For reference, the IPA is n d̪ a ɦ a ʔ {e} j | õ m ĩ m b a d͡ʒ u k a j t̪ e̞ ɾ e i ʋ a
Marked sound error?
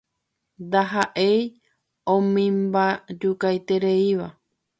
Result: no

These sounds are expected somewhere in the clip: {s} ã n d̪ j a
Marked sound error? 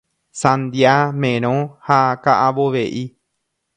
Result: no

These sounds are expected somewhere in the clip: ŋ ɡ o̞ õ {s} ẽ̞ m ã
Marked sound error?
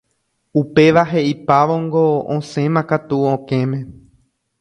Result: no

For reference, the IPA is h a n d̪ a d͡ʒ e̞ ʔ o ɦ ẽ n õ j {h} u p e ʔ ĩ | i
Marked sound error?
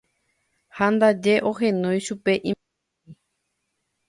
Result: yes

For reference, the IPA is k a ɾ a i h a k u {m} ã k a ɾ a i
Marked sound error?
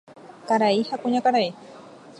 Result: yes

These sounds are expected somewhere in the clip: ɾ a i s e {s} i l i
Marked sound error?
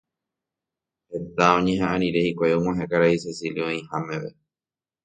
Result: no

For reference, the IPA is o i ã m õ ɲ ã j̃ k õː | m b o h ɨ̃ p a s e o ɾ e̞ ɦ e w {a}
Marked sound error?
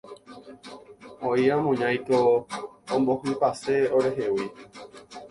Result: yes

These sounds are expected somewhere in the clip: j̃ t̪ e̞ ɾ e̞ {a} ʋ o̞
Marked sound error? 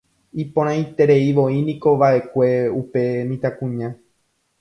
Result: yes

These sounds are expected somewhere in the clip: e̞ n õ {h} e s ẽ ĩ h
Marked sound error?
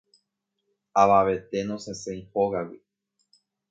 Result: yes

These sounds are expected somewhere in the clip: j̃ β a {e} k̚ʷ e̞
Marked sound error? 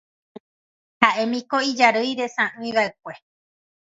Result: no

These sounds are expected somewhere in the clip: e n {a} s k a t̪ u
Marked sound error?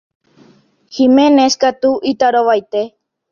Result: yes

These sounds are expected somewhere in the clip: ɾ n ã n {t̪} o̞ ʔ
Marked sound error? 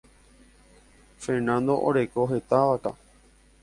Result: yes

